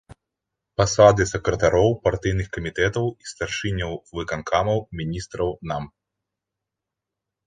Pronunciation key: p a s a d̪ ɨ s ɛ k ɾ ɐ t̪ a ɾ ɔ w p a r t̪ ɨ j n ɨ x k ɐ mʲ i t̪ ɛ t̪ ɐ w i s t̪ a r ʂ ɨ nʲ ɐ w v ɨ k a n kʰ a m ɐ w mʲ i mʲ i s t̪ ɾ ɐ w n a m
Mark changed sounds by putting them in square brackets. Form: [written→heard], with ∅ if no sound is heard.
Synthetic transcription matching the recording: p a s a d̪ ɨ s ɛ k ɾ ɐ t̪ a ɾ ɔ w p a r t̪ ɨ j n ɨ x k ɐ mʲ i t̪ ɛ t̪ ɐ w i s t̪ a r ʂ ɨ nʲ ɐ w v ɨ k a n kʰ a m ɐ w mʲ i [mʲ→nʲ] i s t̪ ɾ ɐ w n a m

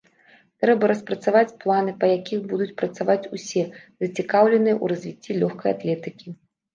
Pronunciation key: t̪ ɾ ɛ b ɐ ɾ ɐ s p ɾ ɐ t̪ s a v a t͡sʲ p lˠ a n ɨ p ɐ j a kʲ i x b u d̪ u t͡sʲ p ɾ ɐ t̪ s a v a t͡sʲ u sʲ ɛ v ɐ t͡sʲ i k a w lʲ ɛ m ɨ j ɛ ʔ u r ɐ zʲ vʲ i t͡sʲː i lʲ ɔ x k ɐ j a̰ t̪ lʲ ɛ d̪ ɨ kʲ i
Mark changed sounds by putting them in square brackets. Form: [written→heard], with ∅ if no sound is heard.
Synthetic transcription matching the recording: t̪ ɾ ɛ b ɐ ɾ ɐ s p ɾ ɐ t̪ s a v a t͡sʲ p lˠ a n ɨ p ɐ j a kʲ i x b u d̪ u t͡sʲ p ɾ ɐ t̪ s a v a t͡sʲ u sʲ ɛ [v→z] ɐ t͡sʲ i k a w lʲ ɛ [m→n] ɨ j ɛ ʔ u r ɐ zʲ vʲ i t͡sʲː i lʲ ɔ x k ɐ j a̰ t̪ lʲ ɛ [d̪→t̪] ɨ kʲ i

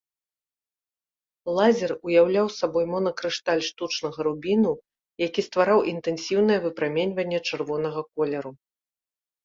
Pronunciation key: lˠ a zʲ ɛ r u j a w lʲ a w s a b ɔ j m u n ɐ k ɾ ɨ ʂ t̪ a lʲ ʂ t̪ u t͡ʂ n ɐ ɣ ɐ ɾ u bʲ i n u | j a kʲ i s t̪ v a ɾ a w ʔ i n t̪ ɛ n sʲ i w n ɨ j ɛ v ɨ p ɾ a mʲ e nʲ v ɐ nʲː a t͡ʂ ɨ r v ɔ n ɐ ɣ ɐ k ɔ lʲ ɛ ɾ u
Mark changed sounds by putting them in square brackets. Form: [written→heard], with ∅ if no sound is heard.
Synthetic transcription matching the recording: lˠ a zʲ ɛ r u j a w lʲ a w s a b ɔ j m [u→ɔ] n ɐ k ɾ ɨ ʂ t̪ a lʲ ʂ t̪ u t͡ʂ n ɐ ɣ ɐ ɾ u bʲ i n u | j a kʲ i s t̪ v a ɾ a w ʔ i n t̪ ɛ n sʲ i w n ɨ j ɛ v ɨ p ɾ a mʲ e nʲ v ɐ nʲː [a→ɛ] t͡ʂ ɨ r v ɔ n ɐ ɣ ɐ k ɔ lʲ ɛ ɾ u

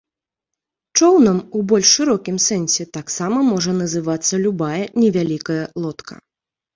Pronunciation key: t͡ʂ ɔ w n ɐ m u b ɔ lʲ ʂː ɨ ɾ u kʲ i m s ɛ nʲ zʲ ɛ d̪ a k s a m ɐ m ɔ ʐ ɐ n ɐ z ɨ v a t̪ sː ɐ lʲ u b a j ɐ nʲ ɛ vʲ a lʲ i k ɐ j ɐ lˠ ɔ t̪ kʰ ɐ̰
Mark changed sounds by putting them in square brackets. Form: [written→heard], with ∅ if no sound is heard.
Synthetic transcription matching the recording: t͡ʂ ɔ w n ɐ m u b ɔ lʲ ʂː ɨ ɾ [u→ɔ] kʲ i m s ɛ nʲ [zʲ→sʲ] ɛ [d̪→t̪] a k s a m ɐ m ɔ ʐ ɐ n ɐ z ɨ v a t̪ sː ɐ lʲ u b a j ɐ nʲ ɛ vʲ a lʲ i k ɐ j ɐ lˠ ɔ t̪ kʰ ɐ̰

